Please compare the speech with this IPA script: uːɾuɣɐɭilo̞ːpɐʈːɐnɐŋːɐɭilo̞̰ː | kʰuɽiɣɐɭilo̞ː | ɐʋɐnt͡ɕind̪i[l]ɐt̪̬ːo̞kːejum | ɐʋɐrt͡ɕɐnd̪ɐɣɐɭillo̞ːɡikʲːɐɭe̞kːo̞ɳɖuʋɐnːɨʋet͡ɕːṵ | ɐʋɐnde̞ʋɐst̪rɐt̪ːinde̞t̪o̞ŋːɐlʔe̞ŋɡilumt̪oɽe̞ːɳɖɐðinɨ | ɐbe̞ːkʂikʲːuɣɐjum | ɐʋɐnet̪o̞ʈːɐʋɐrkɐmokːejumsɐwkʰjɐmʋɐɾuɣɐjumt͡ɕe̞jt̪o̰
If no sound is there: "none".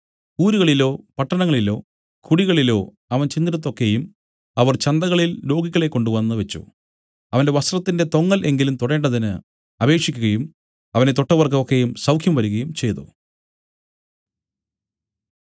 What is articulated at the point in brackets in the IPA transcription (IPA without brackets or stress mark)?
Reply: ɾ